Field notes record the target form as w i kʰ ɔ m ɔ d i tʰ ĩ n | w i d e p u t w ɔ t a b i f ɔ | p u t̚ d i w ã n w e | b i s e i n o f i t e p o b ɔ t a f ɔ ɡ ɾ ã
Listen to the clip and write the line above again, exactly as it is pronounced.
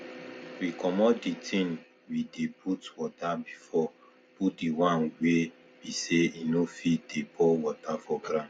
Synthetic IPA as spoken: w i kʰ ɔ m ɔ d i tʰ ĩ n | w i d e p u t w ɔ t a b i f ɔ | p u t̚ d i w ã n w e | b i s e i n o f i d e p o w ɔ t a f ɔ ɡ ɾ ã